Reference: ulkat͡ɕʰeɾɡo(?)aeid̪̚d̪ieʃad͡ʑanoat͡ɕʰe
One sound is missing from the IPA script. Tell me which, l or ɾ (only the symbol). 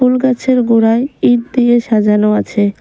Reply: ɾ